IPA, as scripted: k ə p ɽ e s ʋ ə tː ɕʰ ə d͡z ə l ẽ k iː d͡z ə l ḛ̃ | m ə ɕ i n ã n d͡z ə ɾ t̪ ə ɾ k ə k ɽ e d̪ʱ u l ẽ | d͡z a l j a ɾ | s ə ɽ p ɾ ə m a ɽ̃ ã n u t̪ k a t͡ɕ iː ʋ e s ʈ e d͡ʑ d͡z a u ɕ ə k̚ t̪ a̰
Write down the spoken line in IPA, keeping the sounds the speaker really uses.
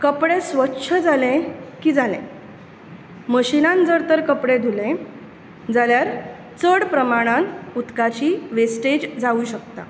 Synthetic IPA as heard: k ə p ɽ e s ʋ ə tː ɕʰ ə d͡z a l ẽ k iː d͡z a l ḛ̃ | m ə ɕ i n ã n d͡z ə ɾ t̪ ə ɾ k ə p ɽ e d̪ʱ u l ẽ | d͡z a l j a ɾ | t͡s ə ɽ p ɾ ə m a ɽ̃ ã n u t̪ k a t͡ɕ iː ʋ e s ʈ e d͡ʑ d͡z a u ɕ ə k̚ t̪ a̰